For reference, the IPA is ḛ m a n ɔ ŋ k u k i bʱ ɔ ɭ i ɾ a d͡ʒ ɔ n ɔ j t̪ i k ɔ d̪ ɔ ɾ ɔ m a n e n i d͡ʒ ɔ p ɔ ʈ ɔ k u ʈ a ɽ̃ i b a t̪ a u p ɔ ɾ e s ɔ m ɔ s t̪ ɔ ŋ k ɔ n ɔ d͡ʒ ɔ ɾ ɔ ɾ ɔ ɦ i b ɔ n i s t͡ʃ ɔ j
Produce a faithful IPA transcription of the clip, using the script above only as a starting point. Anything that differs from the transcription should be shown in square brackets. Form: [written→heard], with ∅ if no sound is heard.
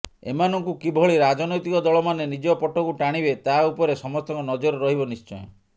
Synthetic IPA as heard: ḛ m a n ɔ ŋ k u k i bʱ ɔ ɭ i ɾ a d͡ʒ ɔ n ɔ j t̪ i k ɔ d̪ ɔ [ɾ→ɭ] ɔ m a n e n i d͡ʒ ɔ p ɔ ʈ ɔ k u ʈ a ɽ̃ i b [a→e] t̪ a u p ɔ ɾ e s ɔ m ɔ s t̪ ɔ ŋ k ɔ n ɔ d͡ʒ ɔ ɾ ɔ ɾ ɔ ɦ i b ɔ n i s t͡ʃ ɔ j